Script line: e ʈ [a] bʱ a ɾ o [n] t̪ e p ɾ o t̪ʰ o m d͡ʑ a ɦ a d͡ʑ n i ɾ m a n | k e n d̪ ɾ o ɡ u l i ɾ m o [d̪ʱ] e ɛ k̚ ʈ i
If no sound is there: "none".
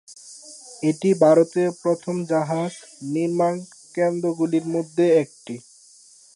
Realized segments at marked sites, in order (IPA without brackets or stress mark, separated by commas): i, none, d̪ʱː